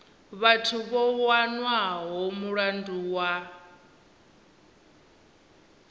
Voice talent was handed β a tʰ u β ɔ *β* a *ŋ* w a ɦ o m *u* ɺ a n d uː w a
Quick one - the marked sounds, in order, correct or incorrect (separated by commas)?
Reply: incorrect, incorrect, correct